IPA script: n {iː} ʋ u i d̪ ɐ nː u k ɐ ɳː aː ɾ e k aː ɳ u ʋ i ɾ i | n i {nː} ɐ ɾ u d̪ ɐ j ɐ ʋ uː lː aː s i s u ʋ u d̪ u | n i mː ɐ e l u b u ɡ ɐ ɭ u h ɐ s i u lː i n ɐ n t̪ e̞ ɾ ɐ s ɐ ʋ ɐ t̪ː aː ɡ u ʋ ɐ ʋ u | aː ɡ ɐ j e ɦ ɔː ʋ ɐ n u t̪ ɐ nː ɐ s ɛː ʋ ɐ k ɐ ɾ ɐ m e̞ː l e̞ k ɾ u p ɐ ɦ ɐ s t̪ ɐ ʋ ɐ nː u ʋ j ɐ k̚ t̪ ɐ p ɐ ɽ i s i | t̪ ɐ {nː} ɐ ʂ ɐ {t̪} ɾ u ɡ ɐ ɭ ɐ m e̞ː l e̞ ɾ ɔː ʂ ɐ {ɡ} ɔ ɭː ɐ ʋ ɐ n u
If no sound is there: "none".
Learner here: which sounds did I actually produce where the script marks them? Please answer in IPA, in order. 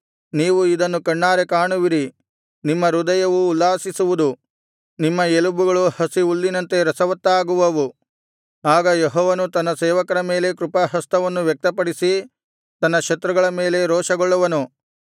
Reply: iː, mː, nː, t̪, ɡ

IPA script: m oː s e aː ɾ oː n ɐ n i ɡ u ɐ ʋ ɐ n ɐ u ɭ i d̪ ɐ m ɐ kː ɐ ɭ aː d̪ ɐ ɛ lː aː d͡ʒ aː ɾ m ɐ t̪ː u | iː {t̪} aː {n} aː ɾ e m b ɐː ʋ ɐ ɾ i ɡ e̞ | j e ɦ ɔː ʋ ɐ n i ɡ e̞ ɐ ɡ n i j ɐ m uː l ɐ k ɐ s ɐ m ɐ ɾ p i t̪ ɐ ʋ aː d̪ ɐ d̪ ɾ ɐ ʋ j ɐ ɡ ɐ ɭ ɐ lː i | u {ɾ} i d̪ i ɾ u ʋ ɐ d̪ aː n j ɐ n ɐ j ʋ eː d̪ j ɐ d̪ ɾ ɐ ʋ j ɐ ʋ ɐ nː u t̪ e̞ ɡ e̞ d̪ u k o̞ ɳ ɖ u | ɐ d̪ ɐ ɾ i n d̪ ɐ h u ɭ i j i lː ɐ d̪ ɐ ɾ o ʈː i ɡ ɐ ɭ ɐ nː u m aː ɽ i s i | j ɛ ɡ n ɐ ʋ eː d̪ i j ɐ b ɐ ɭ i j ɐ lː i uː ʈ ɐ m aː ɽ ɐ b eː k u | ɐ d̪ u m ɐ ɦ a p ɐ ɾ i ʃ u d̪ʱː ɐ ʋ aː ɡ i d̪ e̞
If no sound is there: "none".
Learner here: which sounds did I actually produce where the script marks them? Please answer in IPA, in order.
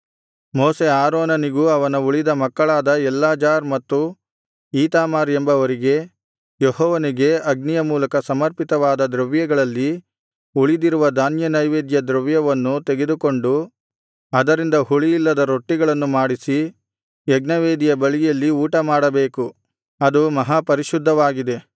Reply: t̪, m, ɭ

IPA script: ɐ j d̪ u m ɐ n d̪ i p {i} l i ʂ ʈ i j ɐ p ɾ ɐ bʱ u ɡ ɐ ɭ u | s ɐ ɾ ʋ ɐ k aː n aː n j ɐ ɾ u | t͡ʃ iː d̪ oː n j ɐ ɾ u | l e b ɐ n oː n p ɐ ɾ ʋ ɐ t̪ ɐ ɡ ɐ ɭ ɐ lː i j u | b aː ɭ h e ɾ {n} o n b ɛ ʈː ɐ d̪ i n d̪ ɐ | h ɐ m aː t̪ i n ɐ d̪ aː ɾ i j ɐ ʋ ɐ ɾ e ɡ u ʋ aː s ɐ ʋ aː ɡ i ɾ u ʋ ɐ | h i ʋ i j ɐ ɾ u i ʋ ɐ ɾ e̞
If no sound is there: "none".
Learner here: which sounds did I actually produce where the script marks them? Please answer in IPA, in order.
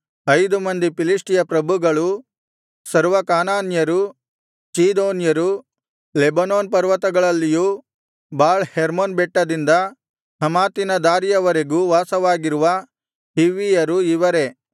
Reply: i, m

